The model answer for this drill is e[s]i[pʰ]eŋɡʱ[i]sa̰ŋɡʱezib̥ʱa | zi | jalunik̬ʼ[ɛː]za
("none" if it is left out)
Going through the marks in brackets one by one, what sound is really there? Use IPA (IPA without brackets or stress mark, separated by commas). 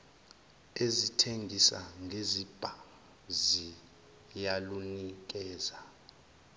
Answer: z, tʰ, i, ɛː